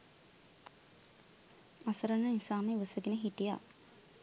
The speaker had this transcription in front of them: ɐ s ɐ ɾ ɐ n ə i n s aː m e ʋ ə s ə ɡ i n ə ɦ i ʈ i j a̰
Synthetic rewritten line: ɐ s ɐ ɾ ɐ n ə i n s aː m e ʋ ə s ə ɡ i n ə ɦ i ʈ i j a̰

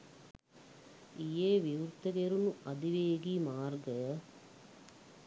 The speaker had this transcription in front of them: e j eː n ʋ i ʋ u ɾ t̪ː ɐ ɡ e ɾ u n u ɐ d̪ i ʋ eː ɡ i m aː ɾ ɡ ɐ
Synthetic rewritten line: i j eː ʋ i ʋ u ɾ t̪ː ɐ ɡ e ɾ u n u ɐ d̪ i ʋ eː ɡ i m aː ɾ ɡ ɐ

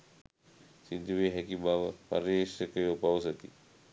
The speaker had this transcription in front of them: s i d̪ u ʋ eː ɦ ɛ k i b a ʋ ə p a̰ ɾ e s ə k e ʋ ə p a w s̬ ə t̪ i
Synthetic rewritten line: s i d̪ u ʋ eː ɦ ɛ k i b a ʋ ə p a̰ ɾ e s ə k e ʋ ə p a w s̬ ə t̪ i

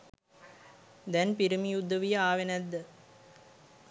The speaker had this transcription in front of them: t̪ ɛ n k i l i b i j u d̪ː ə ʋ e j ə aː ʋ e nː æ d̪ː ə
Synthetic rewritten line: d̪ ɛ n p i ɾ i m i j u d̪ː ə ʋ i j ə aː ʋ e n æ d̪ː ə

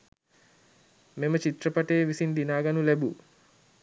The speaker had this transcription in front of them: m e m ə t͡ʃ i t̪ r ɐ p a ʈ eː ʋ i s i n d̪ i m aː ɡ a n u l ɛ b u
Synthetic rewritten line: m e m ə t͡ʃ i t̪ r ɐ p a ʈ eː ʋ i s i n d̪ i n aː ɡ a n u l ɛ b u

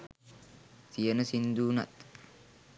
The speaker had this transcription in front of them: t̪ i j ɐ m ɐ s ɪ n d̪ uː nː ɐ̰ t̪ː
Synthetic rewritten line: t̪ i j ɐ n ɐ s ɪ n d̪ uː n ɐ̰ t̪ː

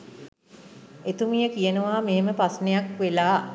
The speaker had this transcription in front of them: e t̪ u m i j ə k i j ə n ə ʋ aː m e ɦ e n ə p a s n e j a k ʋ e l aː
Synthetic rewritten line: e t̪ u m i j ə k i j ə n ə ʋ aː m e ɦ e m ə p a s n e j a k ʋ e l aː

